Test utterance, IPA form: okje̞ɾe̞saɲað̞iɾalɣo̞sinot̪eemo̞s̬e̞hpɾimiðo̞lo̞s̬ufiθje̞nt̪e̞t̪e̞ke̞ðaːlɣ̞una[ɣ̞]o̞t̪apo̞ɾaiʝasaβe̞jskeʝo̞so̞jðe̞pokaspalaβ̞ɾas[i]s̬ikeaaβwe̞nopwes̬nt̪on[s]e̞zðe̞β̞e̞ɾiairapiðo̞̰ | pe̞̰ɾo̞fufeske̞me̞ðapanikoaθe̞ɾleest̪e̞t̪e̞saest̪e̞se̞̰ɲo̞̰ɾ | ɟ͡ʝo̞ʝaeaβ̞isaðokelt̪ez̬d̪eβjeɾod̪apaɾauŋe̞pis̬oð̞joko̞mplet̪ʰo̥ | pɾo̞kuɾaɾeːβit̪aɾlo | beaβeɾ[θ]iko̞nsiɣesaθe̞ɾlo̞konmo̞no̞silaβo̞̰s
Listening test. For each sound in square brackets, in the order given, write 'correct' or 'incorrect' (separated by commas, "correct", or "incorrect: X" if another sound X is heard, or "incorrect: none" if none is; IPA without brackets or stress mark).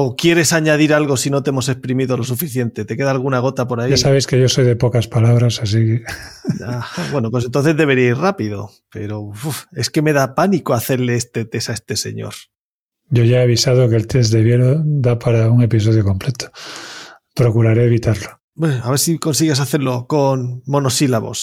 correct, incorrect: a, incorrect: θ, incorrect: s